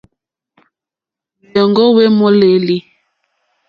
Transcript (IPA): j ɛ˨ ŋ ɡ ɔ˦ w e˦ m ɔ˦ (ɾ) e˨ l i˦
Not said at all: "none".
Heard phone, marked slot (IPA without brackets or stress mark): l